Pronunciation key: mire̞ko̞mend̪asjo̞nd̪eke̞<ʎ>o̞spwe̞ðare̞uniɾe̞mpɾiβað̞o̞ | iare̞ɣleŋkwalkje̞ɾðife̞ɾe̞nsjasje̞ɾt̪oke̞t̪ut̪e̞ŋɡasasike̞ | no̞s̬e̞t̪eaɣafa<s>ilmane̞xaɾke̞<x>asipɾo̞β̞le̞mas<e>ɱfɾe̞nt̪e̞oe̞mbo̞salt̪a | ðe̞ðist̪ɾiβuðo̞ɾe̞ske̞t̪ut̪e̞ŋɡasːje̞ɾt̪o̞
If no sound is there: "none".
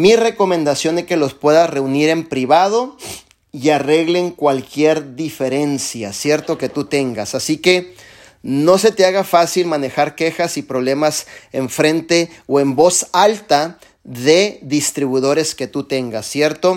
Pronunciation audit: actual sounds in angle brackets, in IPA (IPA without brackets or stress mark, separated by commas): l, s, x, e